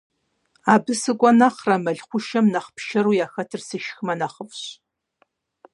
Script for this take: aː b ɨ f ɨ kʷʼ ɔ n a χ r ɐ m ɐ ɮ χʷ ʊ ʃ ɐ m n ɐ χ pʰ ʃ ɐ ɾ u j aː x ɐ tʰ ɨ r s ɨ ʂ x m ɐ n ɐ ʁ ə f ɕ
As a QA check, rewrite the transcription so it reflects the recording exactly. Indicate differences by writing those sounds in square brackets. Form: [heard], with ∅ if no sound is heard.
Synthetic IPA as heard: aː b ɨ [s] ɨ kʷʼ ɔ n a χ r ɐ m ɐ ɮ χʷ ʊ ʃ ɐ m n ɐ χ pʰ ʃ ɐ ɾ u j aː x ɐ tʰ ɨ r s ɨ [ʃ] x m ɐ n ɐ [χ] ə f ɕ